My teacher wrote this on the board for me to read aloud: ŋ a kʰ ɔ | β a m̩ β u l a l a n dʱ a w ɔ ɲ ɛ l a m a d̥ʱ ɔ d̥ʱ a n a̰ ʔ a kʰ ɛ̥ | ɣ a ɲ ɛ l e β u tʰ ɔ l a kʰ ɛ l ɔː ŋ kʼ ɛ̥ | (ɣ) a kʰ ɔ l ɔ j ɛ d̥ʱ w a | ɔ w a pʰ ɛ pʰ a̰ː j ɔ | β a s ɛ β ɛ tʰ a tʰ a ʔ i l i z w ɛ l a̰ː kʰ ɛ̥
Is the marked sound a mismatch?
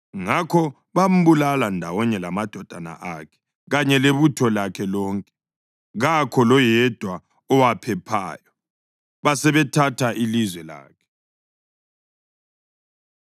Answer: no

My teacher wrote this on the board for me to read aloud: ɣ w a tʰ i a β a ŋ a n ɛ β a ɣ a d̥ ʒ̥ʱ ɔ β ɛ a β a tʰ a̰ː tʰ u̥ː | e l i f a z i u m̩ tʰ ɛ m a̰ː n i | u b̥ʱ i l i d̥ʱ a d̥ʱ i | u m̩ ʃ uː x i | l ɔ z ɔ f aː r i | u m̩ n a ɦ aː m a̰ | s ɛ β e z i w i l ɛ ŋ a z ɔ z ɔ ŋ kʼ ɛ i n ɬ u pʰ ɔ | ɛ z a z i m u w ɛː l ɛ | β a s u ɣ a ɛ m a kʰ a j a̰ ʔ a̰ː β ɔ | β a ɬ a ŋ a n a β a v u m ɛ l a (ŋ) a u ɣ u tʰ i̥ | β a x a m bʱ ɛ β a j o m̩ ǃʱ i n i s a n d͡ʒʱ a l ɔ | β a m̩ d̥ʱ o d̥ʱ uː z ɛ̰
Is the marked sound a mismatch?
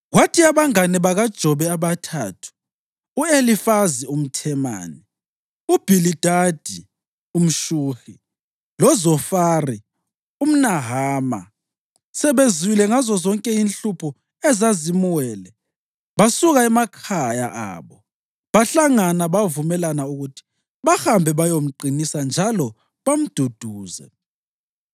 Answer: yes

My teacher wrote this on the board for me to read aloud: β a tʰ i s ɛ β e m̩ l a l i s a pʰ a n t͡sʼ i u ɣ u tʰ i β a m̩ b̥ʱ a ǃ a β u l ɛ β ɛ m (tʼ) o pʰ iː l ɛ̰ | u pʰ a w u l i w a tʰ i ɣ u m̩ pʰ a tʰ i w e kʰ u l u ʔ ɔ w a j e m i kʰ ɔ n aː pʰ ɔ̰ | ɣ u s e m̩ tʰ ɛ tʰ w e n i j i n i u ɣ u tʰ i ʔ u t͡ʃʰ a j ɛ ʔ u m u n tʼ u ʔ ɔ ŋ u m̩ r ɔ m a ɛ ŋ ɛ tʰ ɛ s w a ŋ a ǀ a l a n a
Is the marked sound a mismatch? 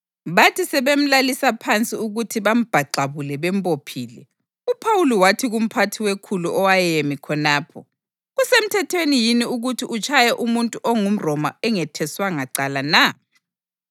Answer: yes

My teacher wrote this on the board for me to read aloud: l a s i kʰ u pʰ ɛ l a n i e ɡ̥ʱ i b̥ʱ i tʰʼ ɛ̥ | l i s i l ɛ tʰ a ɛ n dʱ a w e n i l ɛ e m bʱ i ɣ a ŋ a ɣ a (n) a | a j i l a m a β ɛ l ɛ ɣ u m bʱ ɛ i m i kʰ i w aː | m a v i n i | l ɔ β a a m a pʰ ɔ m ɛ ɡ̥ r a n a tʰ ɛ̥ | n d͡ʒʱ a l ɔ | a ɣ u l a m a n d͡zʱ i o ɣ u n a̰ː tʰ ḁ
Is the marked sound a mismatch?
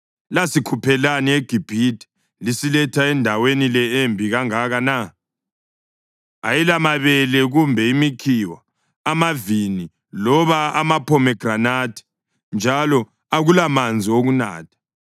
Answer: no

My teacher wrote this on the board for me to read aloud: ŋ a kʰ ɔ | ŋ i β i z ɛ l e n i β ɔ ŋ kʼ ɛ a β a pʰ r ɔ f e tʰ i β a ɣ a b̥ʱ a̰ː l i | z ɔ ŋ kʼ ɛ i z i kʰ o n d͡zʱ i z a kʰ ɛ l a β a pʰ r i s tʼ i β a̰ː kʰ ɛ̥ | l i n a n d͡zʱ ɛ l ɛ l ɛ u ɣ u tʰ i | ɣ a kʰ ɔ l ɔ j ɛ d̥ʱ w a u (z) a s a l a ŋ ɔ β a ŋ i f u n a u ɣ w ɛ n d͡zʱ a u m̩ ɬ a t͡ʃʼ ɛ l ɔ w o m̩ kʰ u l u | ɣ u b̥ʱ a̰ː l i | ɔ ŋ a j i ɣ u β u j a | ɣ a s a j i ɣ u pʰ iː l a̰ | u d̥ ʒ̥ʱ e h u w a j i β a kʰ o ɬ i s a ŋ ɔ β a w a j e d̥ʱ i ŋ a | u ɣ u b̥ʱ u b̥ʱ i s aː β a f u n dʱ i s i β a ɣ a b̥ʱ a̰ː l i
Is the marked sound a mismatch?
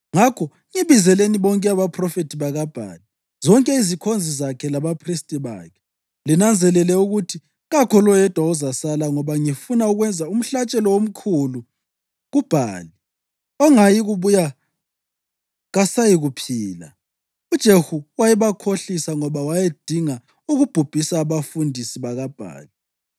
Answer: no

